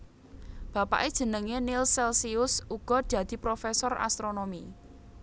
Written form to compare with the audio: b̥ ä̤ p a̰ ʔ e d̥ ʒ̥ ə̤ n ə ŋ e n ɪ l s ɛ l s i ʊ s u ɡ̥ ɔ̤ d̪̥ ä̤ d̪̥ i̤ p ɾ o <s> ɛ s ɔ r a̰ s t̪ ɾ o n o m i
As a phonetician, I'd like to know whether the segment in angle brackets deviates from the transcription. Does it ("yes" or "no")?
yes